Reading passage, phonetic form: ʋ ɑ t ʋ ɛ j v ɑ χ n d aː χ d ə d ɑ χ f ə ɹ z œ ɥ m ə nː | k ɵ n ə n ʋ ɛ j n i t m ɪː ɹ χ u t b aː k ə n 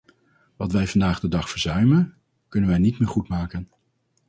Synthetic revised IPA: ʋ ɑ t ʋ ɛ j v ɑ n d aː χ d ə d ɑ χ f ə ɹ z œ ɥ m ə n | k ɵ n ə n ʋ ɛ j n i t m ɪː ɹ χ u t m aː k ə n